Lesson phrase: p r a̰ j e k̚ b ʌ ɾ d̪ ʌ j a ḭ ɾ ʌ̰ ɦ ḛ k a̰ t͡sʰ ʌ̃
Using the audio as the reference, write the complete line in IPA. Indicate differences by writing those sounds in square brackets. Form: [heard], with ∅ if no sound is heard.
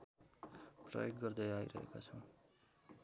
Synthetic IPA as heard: p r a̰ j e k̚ [ɡ] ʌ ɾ d̪ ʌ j a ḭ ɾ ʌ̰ ɦ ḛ k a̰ t͡sʰ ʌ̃